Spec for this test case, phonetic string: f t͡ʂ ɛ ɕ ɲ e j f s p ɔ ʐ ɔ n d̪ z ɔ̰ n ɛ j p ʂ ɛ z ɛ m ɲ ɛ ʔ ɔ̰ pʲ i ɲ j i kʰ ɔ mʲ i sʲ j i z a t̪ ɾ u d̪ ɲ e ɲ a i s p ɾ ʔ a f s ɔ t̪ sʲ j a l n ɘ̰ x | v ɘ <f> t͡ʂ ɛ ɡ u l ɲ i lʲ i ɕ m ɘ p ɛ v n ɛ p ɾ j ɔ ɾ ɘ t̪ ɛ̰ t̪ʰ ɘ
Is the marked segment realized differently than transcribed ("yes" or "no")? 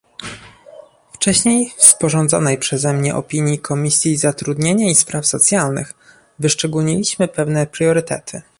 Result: yes